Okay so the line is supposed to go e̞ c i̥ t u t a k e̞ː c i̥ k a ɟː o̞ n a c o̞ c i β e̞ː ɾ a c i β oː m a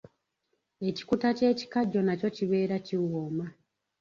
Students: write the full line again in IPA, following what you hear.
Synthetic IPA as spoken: e̞ c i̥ k u t a c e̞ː c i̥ k a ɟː o̞ n a c o̞ c i β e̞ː ɾ a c i w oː m a